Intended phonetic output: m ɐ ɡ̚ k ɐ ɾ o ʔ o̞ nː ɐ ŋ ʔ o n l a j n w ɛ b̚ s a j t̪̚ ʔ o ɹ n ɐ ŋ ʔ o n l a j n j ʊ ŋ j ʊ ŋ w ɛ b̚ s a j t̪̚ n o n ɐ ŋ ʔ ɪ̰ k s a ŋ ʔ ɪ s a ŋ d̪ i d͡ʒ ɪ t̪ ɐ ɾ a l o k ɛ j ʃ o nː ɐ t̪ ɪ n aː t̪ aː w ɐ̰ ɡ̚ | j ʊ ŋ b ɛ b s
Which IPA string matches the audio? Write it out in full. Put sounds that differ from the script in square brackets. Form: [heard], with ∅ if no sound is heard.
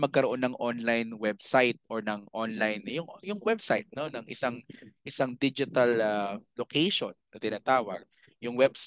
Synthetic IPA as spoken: m ɐ ɡ̚ k ɐ ɾ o ʔ o̞ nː ɐ ŋ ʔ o n l a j n w ɛ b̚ s a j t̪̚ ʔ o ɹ n ɐ ŋ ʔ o n l a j n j ʊ ŋ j ʊ ŋ w ɛ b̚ s a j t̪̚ n o n ɐ ŋ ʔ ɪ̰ [∅] s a ŋ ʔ ɪ s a ŋ d̪ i d͡ʒ ɪ t̪ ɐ [l] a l o k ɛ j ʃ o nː ɐ t̪ ɪ n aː t̪ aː w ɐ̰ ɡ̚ | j ʊ ŋ [w] ɛ b s